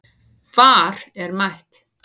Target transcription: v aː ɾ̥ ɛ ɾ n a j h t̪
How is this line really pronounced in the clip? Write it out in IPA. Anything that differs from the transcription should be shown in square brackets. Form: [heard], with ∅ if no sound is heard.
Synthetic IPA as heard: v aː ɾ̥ ɛ ɾ [m] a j h t̪